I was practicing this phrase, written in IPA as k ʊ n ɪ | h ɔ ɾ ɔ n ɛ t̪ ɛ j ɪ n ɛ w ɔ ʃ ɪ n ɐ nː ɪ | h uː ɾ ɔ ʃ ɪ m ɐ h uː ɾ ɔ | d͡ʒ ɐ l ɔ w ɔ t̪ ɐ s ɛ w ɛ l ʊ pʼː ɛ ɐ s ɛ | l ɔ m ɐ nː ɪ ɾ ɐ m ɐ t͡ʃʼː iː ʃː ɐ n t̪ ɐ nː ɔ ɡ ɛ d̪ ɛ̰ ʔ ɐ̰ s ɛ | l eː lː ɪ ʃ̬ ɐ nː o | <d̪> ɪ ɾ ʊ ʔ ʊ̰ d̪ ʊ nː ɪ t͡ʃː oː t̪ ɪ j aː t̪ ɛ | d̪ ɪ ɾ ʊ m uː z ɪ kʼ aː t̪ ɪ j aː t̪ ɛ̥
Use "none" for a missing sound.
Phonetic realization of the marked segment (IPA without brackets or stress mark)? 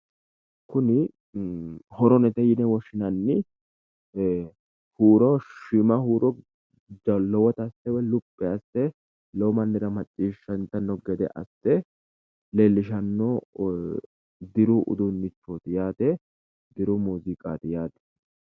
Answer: d̪